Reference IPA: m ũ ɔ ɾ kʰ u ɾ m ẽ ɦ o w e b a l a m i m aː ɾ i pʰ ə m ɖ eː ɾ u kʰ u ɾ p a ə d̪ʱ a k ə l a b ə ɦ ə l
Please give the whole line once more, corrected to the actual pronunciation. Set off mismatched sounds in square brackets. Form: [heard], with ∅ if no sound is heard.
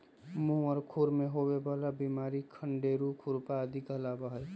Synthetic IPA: m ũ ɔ ɾ kʰ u ɾ m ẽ ɦ o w e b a l a [b] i m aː ɾ i [kʰ] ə [ɳ] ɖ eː ɾ u kʰ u ɾ p a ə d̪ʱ [i] k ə l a b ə ɦ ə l